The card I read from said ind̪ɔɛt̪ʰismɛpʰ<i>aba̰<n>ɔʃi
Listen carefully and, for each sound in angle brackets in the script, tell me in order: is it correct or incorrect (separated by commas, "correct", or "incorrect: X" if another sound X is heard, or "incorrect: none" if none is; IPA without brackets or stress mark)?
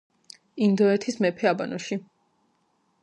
incorrect: ɛ, correct